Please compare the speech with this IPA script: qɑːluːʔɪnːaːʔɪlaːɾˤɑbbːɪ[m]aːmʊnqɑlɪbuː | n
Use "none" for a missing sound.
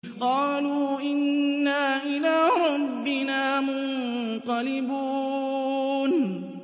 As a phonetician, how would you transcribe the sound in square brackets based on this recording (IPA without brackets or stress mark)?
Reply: n